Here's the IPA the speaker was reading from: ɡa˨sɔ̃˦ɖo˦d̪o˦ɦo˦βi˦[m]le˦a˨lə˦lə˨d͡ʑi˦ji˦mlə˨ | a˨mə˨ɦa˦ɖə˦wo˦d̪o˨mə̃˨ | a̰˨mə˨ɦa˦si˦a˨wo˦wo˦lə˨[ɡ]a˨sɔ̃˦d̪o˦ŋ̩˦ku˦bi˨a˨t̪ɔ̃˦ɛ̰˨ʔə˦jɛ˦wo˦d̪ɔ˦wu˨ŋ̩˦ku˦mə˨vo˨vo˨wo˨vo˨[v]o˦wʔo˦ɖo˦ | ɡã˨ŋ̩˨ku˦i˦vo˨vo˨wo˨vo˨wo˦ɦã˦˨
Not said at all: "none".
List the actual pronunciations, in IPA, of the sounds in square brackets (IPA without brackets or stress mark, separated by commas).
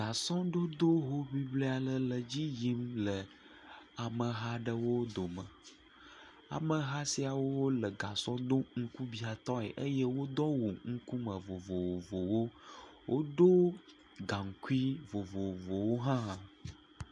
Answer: b, ɡ, w